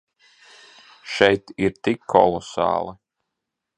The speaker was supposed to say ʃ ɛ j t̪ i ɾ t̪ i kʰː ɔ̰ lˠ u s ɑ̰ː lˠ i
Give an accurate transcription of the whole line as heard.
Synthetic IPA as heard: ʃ ɛ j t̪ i ɾ t̪ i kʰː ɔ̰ lˠ ɔ s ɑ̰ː lˠ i